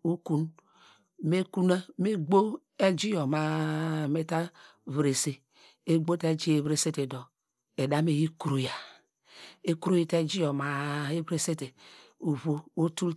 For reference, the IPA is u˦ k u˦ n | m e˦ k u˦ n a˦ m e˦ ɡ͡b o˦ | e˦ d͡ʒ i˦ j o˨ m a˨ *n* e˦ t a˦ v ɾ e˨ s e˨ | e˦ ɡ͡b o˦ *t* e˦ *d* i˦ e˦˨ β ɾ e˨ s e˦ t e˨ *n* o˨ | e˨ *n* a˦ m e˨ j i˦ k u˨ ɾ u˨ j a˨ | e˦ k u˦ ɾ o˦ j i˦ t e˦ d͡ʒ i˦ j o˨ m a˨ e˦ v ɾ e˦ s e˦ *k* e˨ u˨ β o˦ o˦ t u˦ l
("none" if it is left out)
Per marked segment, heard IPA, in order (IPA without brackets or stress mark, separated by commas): m, t, d͡ʒ, d, d, t